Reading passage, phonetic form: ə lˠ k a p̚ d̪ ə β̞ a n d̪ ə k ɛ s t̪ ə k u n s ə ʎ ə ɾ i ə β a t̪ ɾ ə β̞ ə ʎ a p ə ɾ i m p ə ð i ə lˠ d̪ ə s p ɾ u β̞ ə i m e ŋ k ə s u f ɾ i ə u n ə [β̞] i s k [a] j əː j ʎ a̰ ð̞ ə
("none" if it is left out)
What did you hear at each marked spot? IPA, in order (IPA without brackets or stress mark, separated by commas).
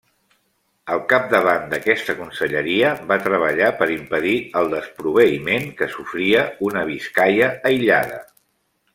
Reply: β̞, a